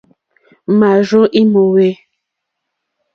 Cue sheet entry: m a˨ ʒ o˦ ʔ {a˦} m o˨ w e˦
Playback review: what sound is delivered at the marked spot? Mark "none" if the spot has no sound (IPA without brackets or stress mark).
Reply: i˦